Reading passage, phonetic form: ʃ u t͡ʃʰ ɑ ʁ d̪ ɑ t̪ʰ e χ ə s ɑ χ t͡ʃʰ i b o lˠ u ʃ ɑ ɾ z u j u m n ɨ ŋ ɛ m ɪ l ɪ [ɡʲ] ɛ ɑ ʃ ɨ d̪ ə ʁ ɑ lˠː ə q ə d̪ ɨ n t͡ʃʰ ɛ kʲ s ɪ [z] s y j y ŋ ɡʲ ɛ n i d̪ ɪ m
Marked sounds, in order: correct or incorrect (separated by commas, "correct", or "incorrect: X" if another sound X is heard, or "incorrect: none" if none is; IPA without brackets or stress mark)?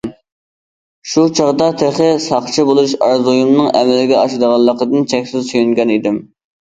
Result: correct, correct